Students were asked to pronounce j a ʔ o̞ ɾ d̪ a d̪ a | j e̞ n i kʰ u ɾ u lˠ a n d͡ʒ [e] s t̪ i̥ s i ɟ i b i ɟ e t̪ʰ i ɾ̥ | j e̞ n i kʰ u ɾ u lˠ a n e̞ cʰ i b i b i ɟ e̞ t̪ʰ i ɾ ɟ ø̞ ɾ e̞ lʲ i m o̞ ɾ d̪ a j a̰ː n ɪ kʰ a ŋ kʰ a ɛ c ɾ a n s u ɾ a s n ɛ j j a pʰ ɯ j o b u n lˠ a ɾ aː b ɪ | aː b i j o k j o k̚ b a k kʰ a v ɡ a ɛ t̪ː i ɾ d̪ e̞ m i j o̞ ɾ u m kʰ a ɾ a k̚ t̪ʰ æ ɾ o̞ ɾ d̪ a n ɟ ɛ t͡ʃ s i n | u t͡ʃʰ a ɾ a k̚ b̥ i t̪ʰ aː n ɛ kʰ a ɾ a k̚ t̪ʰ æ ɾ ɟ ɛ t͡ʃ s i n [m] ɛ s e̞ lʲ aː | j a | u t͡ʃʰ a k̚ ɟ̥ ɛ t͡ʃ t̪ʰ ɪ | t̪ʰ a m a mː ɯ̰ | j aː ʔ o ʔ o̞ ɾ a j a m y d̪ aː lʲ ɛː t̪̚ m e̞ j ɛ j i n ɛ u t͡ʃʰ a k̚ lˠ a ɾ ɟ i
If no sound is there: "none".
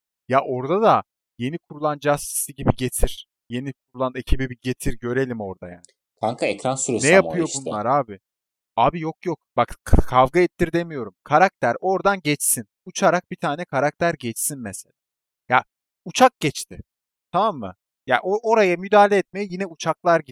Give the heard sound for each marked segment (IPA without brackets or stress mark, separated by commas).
a, m